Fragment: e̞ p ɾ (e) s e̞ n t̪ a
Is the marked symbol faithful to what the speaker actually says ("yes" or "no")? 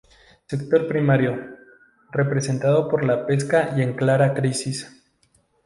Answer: yes